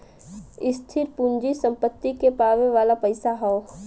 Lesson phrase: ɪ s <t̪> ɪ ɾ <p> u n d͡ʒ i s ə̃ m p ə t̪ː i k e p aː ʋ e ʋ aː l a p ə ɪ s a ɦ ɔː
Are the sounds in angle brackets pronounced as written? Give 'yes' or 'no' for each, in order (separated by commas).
no, yes